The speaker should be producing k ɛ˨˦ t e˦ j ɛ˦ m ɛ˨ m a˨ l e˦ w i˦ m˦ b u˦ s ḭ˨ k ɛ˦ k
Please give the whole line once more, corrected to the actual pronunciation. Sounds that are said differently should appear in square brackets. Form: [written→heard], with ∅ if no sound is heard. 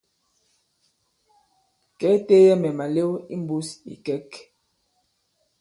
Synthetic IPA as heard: k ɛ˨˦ t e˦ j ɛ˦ m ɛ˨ m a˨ l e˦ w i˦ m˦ b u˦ s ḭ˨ k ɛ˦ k